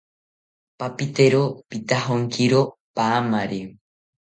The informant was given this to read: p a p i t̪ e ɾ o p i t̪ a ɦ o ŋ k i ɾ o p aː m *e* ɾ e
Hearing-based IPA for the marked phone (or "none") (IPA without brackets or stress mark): a